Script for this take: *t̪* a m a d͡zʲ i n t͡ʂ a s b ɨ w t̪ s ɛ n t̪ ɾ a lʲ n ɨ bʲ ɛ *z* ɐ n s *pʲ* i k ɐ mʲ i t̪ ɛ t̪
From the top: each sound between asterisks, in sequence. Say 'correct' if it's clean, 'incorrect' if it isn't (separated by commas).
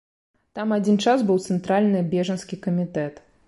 correct, incorrect, incorrect